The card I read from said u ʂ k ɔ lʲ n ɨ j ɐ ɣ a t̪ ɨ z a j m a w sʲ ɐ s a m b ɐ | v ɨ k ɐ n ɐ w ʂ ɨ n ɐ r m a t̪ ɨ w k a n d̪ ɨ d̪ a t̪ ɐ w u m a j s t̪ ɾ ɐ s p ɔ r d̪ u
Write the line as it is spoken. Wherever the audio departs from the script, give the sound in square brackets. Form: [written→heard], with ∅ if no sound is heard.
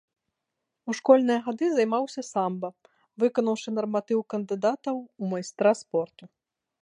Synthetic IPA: u ʂ k ɔ lʲ n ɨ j ɐ ɣ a [t̪→d̪] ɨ z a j m a w sʲ ɐ s a m b ɐ | v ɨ k ɐ n ɐ w ʂ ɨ n ɐ r m a t̪ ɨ w k [a→ɐ] n d̪ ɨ d̪ a t̪ ɐ w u m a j s t̪ ɾ [ɐ→a] s p ɔ r [d̪→t̪] u